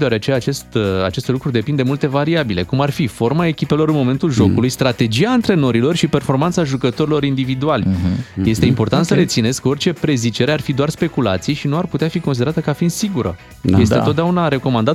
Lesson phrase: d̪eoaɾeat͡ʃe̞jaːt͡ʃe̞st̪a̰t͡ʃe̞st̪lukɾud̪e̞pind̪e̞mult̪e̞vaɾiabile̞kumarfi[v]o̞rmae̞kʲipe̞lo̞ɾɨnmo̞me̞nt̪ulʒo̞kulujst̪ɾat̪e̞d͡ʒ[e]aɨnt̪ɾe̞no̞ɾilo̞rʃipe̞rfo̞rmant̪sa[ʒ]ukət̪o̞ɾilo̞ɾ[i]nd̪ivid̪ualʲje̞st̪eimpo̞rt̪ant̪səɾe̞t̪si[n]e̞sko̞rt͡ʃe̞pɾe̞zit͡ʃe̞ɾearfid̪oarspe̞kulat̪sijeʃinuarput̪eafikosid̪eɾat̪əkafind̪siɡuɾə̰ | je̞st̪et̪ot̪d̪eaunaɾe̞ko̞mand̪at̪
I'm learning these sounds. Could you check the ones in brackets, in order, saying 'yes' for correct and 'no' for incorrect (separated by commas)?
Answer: no, no, yes, yes, yes